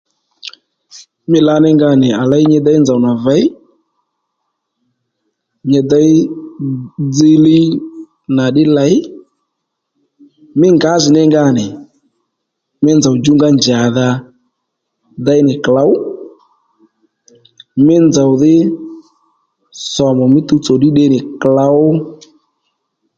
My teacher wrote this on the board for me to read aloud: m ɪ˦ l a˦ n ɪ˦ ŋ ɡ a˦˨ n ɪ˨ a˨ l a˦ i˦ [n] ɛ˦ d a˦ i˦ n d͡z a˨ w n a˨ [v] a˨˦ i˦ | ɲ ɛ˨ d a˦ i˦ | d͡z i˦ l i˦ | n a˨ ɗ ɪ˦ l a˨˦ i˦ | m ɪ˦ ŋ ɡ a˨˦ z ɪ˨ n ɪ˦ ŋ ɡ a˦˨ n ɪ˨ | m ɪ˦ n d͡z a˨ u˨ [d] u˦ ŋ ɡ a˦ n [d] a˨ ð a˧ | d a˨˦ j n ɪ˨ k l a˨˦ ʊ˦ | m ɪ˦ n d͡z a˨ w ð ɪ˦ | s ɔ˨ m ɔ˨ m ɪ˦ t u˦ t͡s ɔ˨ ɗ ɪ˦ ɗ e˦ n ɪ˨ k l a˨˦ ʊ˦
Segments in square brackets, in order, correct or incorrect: incorrect: ɲ, correct, incorrect: d͡ʒ, incorrect: d͡ʒ

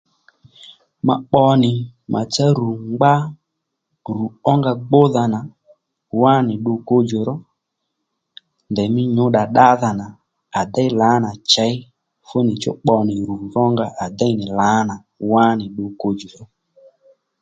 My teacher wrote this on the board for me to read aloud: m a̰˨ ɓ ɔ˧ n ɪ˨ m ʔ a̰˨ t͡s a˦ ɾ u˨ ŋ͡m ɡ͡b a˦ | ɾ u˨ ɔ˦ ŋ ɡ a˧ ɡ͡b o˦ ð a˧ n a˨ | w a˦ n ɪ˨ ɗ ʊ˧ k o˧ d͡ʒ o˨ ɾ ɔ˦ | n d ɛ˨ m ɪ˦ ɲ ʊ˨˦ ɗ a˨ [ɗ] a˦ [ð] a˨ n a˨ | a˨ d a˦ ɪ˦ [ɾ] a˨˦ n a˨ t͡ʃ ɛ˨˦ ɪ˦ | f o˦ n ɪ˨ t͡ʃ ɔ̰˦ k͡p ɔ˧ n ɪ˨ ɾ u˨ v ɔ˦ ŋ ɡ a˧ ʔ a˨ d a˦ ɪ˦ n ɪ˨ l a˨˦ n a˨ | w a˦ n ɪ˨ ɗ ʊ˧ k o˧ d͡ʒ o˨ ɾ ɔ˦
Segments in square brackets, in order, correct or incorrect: correct, correct, incorrect: l

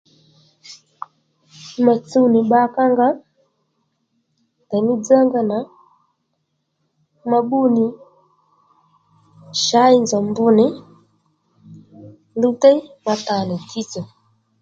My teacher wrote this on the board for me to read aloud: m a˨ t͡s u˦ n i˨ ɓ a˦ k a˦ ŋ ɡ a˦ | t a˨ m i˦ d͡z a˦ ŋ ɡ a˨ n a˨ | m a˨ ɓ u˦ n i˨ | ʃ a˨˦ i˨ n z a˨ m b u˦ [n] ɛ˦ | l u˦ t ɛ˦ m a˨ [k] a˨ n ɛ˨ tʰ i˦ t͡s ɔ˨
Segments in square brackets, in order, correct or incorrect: correct, incorrect: t

